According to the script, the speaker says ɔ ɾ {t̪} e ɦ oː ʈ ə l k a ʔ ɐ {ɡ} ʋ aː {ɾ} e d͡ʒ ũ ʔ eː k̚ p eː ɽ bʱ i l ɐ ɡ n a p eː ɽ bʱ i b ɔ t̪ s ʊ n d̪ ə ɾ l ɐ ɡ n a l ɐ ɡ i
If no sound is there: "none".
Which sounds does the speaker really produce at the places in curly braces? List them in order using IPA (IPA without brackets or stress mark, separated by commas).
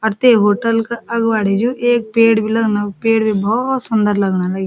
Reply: t̪, ɡ, ɽ